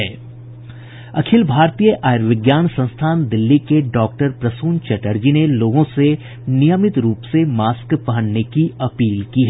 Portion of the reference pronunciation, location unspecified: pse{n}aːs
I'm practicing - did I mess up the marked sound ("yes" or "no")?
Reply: yes